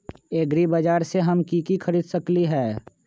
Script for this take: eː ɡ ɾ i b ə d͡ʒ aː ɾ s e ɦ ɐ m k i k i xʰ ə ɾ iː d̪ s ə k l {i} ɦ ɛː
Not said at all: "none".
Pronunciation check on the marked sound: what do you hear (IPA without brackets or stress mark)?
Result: i